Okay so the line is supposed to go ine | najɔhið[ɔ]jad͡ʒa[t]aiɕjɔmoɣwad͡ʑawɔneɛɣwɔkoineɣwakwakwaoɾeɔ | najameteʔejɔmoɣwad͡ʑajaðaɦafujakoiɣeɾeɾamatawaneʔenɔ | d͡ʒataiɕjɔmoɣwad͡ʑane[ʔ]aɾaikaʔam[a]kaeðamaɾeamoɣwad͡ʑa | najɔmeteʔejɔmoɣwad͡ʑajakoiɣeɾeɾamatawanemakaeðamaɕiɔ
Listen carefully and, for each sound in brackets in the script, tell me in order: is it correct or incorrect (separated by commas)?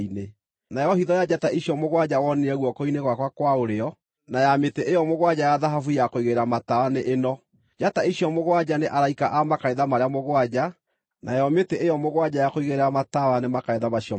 correct, correct, correct, correct